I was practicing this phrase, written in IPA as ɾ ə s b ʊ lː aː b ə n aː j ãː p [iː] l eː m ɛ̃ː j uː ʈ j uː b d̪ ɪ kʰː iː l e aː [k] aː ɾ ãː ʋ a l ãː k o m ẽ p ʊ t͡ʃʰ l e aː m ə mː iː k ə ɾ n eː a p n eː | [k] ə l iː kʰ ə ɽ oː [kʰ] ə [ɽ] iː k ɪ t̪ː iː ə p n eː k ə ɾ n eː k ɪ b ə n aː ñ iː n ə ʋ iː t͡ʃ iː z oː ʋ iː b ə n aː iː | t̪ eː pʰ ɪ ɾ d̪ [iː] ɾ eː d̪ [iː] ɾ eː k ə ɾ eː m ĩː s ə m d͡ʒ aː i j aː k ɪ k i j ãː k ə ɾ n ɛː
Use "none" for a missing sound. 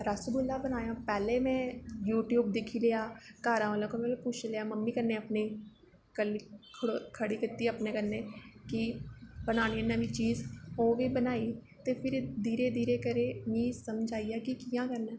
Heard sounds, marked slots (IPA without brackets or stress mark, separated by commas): ɛː, k, k, kʰ, ɽ, iː, iː